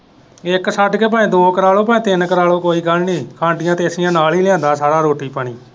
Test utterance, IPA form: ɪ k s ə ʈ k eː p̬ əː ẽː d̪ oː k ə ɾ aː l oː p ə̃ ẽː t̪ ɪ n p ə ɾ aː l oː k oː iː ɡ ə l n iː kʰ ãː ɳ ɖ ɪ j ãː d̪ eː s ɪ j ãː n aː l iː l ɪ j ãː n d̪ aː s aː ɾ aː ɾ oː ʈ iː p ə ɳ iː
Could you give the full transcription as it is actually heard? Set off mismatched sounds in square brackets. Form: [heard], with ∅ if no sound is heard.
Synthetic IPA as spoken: ɪ k s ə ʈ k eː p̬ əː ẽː d̪ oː k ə ɾ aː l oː p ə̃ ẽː t̪ ɪ n [k] ə ɾ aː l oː k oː iː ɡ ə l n iː kʰ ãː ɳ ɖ ɪ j ãː [t̪] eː s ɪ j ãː n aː l iː l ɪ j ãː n d̪ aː s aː ɾ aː ɾ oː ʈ iː p ə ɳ iː